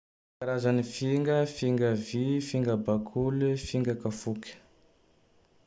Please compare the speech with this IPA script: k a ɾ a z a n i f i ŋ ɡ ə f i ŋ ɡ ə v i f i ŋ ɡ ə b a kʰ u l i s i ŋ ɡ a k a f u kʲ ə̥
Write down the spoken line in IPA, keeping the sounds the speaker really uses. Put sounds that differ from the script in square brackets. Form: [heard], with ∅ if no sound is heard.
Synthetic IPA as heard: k a ɾ a z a n i f i ŋ ɡ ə f i ŋ ɡ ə v i f i ŋ ɡ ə b a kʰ u l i [f] i ŋ ɡ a k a f u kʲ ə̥